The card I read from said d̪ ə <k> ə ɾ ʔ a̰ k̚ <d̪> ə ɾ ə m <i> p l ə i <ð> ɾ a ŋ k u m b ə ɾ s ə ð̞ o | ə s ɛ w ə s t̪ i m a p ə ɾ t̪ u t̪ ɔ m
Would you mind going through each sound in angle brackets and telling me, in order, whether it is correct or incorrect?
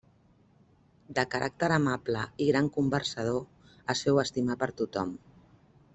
correct, incorrect: t̪, incorrect: a, incorrect: ɣ

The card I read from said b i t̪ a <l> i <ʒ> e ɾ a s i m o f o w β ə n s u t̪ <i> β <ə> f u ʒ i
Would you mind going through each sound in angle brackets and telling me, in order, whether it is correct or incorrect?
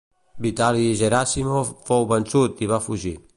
correct, correct, correct, incorrect: a

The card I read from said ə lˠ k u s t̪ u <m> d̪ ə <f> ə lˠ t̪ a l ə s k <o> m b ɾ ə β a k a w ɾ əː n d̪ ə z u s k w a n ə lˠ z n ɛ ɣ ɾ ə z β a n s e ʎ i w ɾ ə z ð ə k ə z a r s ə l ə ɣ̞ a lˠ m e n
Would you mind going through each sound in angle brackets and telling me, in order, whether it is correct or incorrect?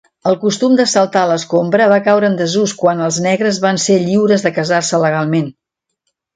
correct, incorrect: s, correct

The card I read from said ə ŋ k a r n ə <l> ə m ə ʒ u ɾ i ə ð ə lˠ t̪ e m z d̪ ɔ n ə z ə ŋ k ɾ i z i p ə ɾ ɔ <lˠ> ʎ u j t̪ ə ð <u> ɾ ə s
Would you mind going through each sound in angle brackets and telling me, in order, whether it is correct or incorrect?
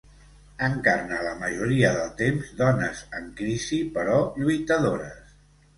correct, incorrect: none, incorrect: o

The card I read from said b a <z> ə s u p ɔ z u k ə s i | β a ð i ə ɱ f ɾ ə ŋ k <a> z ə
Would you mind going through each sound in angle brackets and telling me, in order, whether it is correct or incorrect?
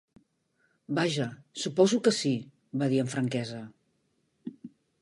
incorrect: ʒ, incorrect: ɛ

